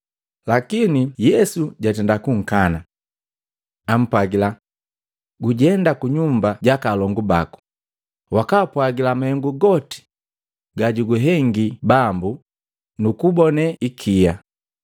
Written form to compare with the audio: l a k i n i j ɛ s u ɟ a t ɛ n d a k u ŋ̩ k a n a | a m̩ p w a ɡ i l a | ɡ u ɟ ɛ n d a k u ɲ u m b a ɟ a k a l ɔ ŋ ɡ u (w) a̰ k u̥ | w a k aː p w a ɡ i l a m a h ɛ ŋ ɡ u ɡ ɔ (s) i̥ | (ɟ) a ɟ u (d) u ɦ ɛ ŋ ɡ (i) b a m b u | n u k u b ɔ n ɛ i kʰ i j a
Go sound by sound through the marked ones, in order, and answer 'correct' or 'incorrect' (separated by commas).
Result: incorrect, incorrect, incorrect, incorrect, correct